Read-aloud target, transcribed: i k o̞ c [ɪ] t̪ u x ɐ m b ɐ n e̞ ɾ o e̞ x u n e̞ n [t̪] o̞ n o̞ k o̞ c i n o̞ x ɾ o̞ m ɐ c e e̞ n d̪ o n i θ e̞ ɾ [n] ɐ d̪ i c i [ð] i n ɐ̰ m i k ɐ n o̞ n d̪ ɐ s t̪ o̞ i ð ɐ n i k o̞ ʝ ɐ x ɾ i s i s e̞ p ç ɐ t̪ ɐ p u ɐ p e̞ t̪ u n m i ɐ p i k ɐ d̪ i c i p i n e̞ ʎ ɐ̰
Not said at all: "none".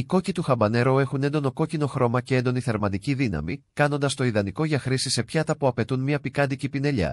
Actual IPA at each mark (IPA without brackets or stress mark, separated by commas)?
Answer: i, d̪, m, ð